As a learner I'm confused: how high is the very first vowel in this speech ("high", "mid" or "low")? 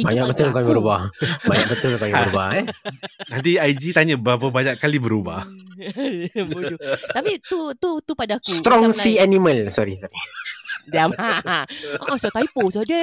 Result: low